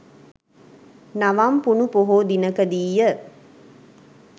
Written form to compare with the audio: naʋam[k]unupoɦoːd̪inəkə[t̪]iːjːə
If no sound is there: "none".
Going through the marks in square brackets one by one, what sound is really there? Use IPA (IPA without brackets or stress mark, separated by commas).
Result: p, d̪